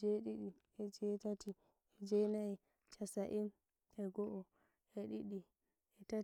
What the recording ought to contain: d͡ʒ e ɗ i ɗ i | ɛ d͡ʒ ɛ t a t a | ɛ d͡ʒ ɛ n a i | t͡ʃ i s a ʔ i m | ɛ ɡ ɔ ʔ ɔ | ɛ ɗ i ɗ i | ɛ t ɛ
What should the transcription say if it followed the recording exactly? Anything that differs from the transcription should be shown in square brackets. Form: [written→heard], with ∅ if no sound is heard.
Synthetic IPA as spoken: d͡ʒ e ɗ i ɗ i | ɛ d͡ʒ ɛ t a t [a→i] | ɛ d͡ʒ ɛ n a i | t͡ʃ [i→a] s a ʔ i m | ɛ ɡ ɔ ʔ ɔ | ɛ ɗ i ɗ i | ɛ t [ɛ→a]